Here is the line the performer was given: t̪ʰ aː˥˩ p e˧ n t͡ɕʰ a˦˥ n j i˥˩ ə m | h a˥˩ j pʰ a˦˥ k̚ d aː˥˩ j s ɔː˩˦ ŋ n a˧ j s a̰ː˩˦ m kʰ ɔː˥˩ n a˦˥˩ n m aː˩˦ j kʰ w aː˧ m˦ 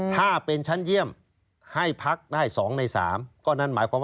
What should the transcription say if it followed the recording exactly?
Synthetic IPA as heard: t̪ʰ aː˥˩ p e˧ n t͡ɕʰ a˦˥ n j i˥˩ ə m | h a˥˩ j pʰ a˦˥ k̚ d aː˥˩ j s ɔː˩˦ ŋ n a˧ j s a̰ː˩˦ m k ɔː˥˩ n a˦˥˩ n m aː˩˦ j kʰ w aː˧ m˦